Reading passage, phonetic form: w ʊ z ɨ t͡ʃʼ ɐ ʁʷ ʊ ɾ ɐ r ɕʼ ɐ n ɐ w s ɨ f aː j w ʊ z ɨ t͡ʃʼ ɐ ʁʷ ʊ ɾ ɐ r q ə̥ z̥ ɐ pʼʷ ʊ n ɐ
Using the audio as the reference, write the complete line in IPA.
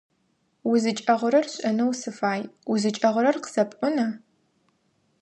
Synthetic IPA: w ʊ z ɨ t͡ʃʼ ɐ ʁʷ ʊ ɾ ɐ r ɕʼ ɐ n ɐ w s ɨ f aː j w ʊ z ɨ t͡ʃʼ ɐ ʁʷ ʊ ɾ ɐ r q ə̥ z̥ ɐ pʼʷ ʊ n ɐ